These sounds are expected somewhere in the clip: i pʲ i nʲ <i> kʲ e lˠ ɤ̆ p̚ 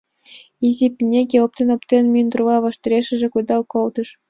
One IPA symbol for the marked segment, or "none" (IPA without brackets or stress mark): e